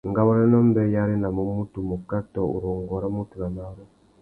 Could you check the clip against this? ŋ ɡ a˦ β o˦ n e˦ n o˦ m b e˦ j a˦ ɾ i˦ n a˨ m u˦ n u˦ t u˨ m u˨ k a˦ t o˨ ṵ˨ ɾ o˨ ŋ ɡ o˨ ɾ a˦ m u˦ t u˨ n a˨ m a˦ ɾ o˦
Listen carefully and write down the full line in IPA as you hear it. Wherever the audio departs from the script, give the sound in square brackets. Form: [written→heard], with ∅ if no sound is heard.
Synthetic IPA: ŋ ɡ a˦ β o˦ n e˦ n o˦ m b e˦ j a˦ ɾ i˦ n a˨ m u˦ [n→m] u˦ t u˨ m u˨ k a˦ t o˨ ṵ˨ ɾ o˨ ŋ ɡ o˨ ɾ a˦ m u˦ t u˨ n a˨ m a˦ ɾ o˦